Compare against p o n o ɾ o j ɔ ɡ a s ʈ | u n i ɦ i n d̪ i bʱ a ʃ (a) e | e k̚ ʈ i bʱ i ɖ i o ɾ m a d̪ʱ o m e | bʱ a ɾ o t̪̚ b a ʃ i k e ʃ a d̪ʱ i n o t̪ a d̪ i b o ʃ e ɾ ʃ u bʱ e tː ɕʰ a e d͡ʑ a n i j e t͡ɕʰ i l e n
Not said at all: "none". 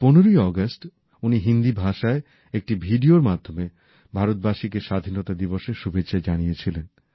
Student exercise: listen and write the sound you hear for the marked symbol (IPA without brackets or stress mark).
a